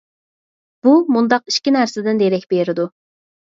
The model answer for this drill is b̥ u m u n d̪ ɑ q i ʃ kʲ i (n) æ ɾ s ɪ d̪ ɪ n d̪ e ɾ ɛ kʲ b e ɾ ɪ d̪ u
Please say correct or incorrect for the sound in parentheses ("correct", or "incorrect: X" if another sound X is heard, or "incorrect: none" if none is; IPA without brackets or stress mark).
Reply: correct